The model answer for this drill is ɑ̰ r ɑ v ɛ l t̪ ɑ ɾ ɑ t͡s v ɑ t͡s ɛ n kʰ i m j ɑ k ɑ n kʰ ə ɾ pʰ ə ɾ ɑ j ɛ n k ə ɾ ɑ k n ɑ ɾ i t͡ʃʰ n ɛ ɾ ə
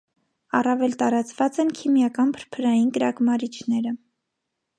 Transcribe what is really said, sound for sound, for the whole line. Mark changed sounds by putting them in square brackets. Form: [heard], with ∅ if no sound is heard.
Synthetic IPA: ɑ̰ r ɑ v ɛ l t̪ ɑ ɾ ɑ t͡s v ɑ t͡s ɛ n kʰ i m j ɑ k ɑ n [pʰ] ə ɾ pʰ ə ɾ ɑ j [i] n k ə ɾ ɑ k [m] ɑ ɾ i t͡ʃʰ n ɛ ɾ ə